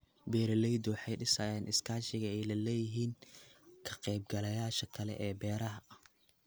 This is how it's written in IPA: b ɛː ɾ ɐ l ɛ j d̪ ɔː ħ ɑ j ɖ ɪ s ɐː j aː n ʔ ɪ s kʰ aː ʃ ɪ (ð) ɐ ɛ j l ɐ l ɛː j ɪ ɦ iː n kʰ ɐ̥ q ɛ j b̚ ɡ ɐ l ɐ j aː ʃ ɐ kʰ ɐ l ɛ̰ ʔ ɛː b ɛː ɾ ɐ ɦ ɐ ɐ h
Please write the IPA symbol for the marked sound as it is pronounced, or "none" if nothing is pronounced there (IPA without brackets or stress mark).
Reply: ɣ